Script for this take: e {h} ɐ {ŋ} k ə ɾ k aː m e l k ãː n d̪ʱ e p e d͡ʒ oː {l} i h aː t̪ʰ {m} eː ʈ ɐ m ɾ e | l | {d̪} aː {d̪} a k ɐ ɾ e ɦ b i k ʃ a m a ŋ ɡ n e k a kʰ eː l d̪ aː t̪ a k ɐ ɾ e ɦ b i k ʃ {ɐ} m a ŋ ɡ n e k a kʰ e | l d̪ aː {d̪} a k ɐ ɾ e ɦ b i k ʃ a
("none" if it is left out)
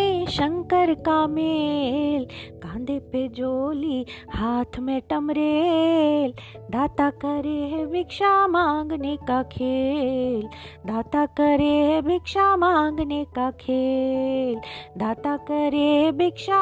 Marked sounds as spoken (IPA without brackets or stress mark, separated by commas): ʃ, ŋ, l, m, d̪, t̪, a, t̪